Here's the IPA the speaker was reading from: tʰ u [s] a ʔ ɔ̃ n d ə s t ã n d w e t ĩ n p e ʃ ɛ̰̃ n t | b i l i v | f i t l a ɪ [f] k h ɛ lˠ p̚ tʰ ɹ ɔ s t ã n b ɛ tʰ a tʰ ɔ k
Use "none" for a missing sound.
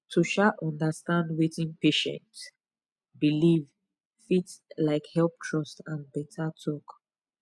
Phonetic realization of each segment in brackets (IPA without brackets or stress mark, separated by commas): ʃ, none